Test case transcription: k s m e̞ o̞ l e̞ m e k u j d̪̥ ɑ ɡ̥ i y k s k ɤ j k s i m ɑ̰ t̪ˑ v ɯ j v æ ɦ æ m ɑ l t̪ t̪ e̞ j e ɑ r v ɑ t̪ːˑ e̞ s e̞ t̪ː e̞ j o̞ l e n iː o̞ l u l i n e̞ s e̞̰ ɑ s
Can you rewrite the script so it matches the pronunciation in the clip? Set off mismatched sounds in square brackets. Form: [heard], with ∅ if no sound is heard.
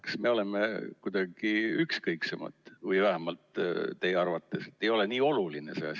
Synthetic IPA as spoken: k s m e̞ o̞ l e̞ m e k u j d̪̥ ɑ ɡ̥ i y k s k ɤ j k s [e] m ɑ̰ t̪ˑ v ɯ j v æ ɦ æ m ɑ l t̪ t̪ e̞ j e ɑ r v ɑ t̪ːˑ e̞ s e̞ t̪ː e̞ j o̞ l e n iː o̞ l u l i n e̞ s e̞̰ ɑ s